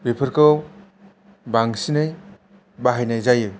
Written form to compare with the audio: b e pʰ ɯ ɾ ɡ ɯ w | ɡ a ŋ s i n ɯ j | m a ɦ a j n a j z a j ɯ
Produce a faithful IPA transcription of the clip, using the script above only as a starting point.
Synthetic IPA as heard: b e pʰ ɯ ɾ k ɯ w | b a ŋ s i n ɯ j | b a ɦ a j n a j z a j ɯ